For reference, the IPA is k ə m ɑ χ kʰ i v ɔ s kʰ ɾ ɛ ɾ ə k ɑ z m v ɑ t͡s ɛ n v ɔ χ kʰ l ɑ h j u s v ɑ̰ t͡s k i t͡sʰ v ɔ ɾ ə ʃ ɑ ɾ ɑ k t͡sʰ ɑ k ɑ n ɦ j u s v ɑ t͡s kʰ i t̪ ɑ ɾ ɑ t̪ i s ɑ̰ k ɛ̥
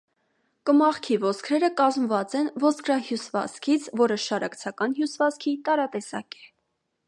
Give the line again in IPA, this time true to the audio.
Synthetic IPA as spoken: k ə m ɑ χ kʰ i v ɔ s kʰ ɾ ɛ ɾ ə k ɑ z m v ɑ t͡s ɛ n v ɔ s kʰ ɾ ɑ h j u s v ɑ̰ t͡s kʰ i t͡sʰ v ɔ ɾ ə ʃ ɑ ɾ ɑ k t͡sʰ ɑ k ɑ n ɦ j u s v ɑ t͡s kʰ i t̪ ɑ ɾ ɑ t̪ ɛ s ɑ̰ k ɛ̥